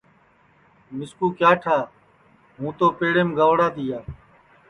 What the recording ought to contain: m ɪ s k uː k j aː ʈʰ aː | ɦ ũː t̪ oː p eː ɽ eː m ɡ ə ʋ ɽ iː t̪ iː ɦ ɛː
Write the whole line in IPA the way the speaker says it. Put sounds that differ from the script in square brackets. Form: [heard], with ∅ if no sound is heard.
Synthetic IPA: m ɪ s k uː k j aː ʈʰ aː | ɦ ũː t̪ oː p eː ɽ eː m ɡ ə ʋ ɽ [aː] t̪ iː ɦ [aː]